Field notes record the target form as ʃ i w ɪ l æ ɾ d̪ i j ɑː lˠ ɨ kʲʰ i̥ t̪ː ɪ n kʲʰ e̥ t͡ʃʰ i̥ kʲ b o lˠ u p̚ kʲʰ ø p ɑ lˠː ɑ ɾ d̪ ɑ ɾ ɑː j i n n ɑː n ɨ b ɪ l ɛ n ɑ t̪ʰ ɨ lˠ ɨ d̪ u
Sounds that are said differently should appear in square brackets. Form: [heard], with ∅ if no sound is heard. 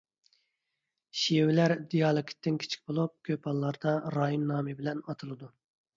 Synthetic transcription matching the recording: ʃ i w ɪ l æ ɾ d̪ i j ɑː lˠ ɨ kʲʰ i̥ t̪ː ɪ n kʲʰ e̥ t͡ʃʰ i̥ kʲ b o lˠ u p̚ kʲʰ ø p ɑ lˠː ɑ ɾ d̪ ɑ ɾ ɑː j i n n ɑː [m] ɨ b ɪ l ɛ n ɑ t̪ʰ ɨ lˠ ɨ d̪ u